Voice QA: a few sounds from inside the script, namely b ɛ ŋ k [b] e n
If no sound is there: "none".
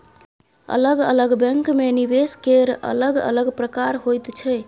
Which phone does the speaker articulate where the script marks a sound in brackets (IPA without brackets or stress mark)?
m